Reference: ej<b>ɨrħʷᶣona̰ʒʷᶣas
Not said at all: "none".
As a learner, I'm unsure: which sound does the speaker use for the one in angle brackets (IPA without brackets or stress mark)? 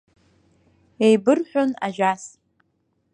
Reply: b